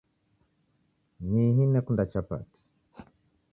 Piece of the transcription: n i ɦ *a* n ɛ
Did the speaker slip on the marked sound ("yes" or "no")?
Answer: yes